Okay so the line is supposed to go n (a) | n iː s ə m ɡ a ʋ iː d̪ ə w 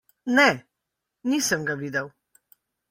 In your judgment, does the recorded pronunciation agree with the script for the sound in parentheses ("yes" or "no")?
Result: no